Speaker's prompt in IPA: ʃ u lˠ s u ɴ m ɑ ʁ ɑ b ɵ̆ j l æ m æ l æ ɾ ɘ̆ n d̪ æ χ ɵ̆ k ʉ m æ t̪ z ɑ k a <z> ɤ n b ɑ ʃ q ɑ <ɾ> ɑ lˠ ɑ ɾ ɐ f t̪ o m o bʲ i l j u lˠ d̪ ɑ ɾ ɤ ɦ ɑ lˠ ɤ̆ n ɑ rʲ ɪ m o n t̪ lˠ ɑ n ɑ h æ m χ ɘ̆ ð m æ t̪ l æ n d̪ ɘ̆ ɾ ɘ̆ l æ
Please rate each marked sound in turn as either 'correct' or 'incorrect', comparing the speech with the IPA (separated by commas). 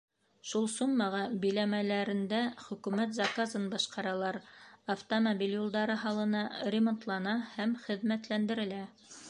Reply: correct, correct